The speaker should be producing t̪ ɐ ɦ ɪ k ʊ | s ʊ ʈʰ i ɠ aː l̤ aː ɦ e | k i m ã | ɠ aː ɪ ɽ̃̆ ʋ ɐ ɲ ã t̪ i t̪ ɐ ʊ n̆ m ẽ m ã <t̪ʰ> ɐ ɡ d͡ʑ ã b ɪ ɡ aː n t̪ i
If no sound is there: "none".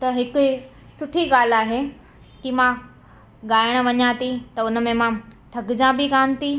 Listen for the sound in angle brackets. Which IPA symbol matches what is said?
t̪ʰ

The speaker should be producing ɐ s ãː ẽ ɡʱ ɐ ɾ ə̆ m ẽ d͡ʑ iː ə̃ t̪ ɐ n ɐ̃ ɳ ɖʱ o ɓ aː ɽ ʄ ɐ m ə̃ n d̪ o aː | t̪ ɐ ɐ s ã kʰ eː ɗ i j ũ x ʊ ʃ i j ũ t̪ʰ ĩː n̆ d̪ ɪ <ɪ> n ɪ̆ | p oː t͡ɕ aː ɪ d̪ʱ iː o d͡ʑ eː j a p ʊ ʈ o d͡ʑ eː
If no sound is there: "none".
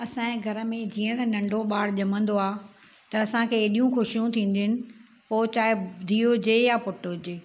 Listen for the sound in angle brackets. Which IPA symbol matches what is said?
ɪ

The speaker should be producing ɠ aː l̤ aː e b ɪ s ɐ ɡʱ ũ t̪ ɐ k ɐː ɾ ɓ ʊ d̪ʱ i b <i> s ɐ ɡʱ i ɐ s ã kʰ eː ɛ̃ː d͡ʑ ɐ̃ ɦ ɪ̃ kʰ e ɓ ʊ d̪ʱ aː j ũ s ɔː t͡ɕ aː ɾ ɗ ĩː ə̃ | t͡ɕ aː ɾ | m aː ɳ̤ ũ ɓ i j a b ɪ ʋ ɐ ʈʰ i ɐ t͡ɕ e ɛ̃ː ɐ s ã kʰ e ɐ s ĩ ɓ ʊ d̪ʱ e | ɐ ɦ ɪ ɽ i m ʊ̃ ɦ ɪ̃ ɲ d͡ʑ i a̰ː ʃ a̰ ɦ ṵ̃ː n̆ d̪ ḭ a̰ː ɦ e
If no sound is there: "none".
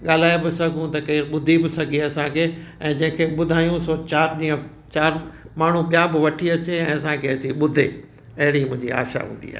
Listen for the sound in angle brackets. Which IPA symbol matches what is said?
ɪ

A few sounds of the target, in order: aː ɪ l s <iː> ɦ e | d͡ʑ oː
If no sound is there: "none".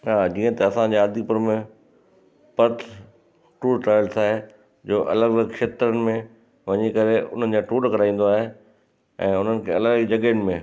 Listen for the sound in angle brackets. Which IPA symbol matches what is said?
aː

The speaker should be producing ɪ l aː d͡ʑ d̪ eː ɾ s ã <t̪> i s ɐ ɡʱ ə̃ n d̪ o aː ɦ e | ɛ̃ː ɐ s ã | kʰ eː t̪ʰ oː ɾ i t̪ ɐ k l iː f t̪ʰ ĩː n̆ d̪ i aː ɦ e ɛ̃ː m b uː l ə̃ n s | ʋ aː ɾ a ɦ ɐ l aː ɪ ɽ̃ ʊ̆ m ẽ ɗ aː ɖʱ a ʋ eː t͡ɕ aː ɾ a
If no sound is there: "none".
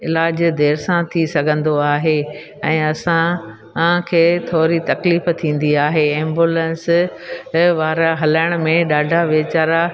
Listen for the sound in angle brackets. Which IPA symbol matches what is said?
t̪ʰ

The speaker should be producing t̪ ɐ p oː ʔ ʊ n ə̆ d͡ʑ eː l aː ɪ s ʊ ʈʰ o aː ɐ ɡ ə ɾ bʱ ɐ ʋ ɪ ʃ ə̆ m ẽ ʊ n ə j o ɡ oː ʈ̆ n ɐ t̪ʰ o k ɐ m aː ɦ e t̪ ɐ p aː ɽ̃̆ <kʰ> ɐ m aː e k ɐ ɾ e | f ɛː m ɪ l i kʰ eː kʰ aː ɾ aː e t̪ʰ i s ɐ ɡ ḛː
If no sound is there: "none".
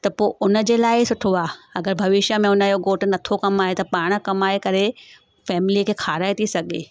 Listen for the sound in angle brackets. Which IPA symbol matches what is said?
k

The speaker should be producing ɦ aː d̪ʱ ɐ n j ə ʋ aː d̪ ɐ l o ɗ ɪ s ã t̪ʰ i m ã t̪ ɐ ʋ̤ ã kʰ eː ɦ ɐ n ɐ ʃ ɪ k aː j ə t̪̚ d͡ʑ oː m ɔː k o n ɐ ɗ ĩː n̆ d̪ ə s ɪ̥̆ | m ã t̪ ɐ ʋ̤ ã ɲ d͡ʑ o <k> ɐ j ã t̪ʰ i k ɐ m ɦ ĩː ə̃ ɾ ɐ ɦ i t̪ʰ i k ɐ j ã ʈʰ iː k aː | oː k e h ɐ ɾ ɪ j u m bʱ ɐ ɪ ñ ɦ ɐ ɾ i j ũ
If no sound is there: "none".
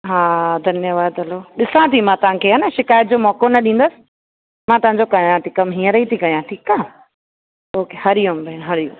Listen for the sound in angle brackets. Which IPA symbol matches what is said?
k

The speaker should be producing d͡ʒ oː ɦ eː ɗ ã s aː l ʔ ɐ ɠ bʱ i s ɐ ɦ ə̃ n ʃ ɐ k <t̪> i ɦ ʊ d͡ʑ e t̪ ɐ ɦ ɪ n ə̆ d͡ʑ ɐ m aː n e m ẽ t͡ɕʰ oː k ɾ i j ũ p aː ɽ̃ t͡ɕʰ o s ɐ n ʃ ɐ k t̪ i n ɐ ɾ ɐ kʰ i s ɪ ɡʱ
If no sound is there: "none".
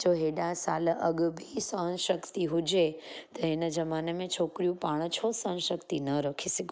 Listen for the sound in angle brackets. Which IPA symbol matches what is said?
t̪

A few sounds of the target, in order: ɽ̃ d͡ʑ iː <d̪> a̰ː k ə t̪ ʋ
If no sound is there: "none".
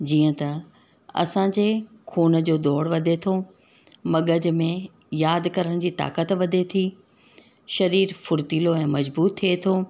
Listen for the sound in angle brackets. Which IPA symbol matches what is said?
t̪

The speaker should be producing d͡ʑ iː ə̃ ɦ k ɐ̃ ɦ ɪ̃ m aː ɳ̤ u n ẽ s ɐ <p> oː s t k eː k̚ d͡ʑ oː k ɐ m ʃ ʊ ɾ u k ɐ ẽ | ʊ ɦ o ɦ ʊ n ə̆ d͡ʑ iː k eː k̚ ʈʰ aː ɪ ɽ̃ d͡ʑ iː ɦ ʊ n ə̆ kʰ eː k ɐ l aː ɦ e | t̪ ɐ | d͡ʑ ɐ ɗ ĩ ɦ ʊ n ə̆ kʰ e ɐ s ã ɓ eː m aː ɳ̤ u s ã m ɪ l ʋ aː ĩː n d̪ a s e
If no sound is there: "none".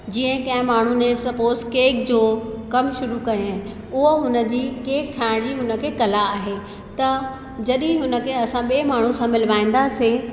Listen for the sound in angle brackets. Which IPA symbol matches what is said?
p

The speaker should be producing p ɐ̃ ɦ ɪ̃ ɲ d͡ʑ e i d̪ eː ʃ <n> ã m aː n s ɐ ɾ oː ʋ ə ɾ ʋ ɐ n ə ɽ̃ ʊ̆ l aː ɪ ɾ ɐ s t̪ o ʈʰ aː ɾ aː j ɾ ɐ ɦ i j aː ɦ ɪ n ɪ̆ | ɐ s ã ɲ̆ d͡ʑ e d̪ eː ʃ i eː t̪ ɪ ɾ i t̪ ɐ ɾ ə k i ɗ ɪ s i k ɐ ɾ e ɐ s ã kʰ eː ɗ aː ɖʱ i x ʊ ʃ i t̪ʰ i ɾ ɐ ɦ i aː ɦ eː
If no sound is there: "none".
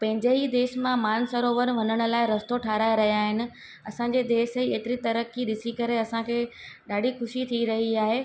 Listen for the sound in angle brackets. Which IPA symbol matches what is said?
m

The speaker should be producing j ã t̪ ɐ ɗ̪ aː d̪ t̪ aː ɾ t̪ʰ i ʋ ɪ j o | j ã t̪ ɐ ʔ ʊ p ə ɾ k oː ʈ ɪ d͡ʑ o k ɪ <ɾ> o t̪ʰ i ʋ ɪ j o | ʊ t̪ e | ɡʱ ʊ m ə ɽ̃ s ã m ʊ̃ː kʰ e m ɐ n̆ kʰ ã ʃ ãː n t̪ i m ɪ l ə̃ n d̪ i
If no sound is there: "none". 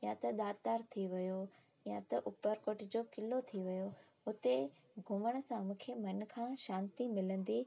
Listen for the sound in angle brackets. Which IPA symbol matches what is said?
l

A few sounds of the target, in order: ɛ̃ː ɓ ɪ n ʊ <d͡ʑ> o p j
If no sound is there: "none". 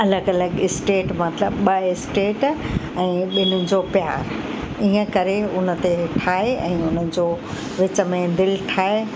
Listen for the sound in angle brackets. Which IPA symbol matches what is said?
d͡ʑ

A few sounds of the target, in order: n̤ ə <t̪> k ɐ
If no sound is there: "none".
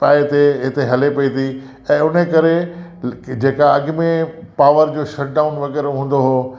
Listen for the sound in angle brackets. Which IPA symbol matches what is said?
none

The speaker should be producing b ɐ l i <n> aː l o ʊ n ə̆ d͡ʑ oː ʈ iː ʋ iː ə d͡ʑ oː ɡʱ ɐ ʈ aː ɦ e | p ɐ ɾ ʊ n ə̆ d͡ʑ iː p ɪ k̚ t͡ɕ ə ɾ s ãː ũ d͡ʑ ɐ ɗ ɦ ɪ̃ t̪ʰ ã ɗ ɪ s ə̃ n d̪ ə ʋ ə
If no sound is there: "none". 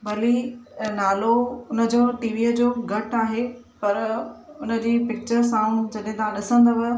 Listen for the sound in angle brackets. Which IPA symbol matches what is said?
n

